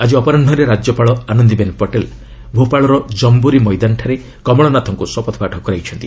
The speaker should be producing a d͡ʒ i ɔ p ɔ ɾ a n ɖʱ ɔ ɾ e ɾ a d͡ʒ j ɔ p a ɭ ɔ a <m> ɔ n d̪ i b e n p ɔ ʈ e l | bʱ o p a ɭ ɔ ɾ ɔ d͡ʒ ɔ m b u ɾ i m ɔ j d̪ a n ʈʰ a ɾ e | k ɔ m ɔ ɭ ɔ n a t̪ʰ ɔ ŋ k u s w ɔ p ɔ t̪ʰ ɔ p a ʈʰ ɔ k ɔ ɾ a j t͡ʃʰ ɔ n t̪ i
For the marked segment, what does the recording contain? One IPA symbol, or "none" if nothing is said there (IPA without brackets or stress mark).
n